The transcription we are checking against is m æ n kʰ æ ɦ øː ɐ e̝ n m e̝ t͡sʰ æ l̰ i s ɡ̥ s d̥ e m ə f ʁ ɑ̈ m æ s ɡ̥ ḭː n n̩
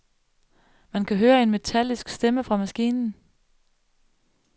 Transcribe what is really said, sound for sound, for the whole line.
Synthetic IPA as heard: m æ n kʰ æ ɦ øː ɐ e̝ n m e̝ t͡sʰ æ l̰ i s ɡ̥ s d̥ e m ə f ʁ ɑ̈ m æ s ɡ̥ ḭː n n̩